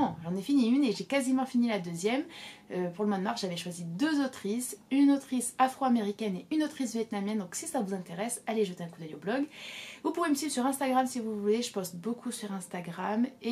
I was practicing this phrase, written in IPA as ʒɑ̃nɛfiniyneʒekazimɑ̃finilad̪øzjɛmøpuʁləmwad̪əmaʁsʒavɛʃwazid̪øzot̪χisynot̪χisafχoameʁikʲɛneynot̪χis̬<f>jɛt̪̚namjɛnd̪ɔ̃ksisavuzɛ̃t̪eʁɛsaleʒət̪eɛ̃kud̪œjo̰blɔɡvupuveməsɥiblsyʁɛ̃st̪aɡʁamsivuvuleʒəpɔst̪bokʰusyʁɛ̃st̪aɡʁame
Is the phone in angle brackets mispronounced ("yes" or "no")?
yes